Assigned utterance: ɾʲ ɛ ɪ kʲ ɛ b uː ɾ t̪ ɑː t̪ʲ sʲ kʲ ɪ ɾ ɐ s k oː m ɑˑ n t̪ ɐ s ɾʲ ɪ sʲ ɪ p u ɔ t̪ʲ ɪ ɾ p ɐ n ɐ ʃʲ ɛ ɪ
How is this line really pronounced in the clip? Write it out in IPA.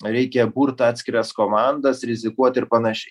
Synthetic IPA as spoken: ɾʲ ɛ ɪ kʲ ɛ b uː ɾ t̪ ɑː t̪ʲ sʲ kʲ ɪ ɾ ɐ s k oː m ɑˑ n d̪ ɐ s ɾʲ ɪ zʲ ɪ k u ɔ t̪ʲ ɪ ɾ p ɐ n ɐ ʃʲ ɛ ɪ

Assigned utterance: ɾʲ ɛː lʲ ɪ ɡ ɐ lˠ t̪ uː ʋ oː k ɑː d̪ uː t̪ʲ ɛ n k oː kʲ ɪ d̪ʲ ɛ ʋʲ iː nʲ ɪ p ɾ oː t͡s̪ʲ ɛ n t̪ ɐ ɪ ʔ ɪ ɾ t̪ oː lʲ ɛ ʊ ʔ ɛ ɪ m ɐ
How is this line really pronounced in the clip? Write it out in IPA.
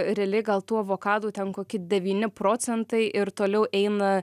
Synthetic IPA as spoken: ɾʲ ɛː lʲ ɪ ɡ ɐ lˠ t̪ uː ʋ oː k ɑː d̪ uː t̪ʲ ɛ n k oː kʲ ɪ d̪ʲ ɛ ʋʲ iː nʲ ɪ p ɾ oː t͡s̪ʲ ɛ n t̪ ɐ ɪ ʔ ɪ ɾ t̪ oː lʲ ɛ ʊ ʔ ɛ ɪ n ɐ

